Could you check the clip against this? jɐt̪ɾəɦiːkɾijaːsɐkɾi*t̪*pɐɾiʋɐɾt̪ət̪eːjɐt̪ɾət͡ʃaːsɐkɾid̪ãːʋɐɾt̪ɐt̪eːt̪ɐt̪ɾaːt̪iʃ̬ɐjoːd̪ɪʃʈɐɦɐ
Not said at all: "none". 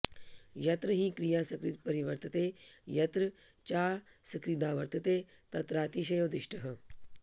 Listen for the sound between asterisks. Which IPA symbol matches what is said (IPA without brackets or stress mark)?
t̪